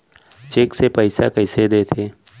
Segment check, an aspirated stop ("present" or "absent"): present